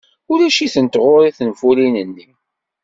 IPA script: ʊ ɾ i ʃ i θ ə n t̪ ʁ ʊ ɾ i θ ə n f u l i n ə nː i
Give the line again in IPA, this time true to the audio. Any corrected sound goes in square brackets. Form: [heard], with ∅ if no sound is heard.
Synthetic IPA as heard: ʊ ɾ [æ] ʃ i θ ə n t̪ ʁ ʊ ɾ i θ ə n f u l i n ə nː i